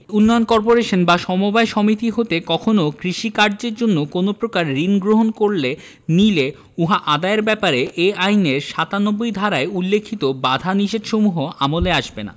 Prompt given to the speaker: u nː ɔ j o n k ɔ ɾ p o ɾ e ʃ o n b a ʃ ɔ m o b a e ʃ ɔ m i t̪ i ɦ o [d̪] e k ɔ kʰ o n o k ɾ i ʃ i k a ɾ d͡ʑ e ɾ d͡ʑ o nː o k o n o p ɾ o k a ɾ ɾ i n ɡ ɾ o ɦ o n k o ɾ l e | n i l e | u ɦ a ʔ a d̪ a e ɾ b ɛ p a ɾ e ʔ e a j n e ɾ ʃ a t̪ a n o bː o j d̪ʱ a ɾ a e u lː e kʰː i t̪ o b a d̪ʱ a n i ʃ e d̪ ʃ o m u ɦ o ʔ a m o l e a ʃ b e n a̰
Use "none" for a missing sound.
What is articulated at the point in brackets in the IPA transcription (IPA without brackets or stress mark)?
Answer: t̪